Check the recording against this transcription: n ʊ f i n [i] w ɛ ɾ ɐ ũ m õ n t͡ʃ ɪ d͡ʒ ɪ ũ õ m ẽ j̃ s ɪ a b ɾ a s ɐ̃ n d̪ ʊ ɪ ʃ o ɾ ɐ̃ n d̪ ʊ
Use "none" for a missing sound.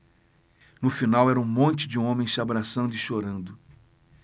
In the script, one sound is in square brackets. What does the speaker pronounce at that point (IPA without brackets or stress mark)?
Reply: a